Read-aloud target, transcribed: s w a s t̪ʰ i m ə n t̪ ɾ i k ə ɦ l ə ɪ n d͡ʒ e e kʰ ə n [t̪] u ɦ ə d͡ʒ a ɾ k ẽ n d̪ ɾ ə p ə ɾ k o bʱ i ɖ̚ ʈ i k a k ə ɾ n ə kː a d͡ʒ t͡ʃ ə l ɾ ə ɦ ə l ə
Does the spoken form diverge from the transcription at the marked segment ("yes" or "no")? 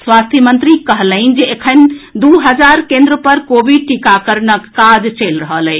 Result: yes